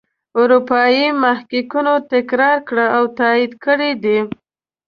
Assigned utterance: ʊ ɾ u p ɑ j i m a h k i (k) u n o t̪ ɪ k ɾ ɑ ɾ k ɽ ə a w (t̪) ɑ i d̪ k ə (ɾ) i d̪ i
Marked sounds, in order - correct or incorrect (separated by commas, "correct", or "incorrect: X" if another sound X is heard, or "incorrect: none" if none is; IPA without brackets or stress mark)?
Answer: correct, correct, incorrect: ɽ